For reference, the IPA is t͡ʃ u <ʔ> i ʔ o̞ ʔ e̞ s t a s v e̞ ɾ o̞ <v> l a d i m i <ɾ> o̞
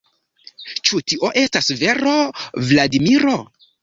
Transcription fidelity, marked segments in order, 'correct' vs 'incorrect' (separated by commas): incorrect, correct, correct